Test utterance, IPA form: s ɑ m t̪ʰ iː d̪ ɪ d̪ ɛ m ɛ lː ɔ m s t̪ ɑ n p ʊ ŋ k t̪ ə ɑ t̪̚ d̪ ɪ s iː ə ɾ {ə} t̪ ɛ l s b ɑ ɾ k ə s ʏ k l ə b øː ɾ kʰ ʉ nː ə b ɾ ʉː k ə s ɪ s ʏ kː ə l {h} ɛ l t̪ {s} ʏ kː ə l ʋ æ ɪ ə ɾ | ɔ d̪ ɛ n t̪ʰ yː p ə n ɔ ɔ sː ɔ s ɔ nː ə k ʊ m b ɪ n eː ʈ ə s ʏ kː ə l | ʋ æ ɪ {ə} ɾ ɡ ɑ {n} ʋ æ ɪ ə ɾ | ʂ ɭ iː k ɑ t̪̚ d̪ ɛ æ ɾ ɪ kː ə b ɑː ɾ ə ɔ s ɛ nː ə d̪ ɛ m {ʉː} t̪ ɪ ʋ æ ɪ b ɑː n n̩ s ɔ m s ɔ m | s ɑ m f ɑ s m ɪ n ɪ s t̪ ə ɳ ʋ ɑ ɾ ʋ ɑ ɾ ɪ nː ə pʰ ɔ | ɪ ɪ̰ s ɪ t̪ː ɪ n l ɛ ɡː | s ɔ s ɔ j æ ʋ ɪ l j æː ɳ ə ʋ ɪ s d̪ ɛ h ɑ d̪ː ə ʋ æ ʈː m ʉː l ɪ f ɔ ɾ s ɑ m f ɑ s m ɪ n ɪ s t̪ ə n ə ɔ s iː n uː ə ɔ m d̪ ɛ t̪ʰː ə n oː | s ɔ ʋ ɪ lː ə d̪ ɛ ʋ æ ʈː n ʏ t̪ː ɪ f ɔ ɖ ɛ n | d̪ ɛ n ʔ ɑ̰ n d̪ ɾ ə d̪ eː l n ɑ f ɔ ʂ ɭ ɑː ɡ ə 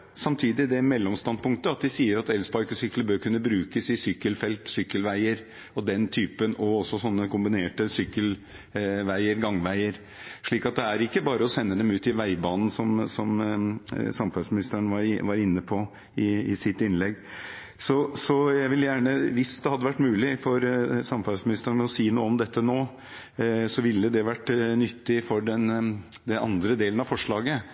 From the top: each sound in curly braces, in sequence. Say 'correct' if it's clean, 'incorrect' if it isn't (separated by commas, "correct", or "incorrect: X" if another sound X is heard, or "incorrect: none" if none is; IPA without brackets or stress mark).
incorrect: ɑ, incorrect: f, correct, correct, incorrect: ŋ, correct